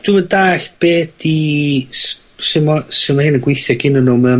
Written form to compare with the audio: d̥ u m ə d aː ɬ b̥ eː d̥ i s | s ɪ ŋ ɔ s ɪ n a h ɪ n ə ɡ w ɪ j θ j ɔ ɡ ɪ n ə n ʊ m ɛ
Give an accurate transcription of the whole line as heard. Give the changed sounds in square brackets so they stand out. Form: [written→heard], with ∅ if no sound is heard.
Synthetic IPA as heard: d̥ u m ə d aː ɬ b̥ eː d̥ i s | s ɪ [ŋ→m] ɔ s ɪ [n→m] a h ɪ n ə ɡ w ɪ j θ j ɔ ɡ ɪ n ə n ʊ m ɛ

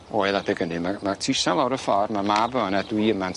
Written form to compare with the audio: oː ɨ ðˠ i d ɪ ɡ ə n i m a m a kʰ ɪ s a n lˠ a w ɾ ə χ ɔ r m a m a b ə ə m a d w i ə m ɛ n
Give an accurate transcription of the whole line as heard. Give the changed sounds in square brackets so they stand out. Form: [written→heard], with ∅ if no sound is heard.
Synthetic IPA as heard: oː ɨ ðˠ [i→a] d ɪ ɡ ə n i m a m a [kʰ→tʰ] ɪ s a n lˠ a w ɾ ə [χ→f] ɔ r m a m a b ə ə [m→n] a d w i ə m [ɛ→a] n

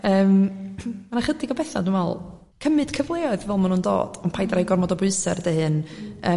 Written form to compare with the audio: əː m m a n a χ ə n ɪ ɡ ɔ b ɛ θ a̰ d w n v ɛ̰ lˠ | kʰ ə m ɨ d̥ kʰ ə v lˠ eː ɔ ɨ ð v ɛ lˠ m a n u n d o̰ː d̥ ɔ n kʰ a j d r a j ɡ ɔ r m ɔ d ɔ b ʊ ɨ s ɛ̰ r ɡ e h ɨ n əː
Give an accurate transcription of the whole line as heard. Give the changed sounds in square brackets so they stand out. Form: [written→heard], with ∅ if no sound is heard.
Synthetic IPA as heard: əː m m a n a χ ə [n→d] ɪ ɡ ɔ b ɛ θ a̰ d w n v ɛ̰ lˠ | kʰ ə m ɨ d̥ kʰ ə v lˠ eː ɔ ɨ ð v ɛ lˠ m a n u n d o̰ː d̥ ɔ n [kʰ→pʰ] a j d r a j ɡ ɔ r m ɔ d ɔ b ʊ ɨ s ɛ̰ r [ɡ→d] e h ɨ n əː

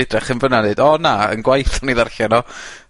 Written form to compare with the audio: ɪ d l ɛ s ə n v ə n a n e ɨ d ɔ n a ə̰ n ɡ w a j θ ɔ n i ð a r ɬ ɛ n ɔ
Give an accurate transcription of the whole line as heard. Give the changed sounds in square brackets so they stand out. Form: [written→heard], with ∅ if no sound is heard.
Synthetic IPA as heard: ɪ d [l→r] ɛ [s→χ] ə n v ə n a n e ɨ d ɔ n a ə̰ n ɡ w a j θ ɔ n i ð a r ɬ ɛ n ɔ

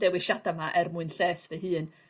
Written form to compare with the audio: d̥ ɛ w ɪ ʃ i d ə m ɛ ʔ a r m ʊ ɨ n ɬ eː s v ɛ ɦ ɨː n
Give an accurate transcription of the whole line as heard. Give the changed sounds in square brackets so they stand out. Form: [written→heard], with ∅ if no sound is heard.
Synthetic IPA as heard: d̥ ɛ w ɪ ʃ [i→a] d [ə→a] m [ɛ→a] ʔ [a→ɛ] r m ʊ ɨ n ɬ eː s v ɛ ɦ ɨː n

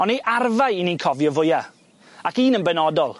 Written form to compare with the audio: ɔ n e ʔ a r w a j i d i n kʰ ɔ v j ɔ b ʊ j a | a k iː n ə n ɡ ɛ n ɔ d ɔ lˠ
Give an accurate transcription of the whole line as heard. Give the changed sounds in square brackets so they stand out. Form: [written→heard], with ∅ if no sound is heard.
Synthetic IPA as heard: ɔ n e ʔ a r [w→v] a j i [d→n] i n kʰ ɔ v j ɔ [b→v] ʊ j a | a k iː n ə n [ɡ→b] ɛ n ɔ d ɔ lˠ

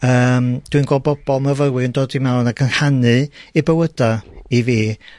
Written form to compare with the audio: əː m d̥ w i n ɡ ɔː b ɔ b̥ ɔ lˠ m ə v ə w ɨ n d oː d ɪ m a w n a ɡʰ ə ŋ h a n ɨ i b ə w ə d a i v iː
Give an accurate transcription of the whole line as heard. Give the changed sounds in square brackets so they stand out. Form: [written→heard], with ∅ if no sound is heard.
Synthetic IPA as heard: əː m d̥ w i n ɡ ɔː b ɔ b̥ ɔ lˠ m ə v ə w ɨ n d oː d [ɪ→i] m a w n a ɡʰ ə [ŋ→n] h a n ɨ i b ə w ə d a i v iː

